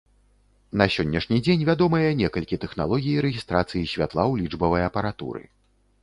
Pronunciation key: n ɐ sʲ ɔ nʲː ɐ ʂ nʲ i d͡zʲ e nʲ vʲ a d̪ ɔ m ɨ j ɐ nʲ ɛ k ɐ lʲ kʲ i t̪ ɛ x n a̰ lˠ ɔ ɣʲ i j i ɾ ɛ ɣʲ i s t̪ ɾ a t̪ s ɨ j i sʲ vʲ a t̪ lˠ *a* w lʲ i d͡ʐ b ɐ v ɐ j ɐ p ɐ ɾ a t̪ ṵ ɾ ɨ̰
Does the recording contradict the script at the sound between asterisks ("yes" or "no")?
no